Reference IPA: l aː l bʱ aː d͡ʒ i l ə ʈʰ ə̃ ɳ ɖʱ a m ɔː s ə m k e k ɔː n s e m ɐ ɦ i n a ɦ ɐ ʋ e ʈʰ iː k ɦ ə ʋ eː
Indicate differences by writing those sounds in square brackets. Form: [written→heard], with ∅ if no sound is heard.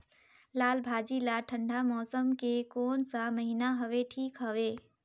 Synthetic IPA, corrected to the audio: l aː l bʱ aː d͡ʒ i l [ə→a] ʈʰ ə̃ ɳ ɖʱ a m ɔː s ə m k e k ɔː n s [e→a] m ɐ ɦ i n a ɦ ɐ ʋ e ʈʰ iː k ɦ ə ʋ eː